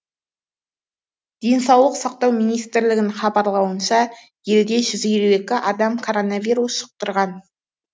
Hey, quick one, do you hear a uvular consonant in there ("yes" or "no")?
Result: yes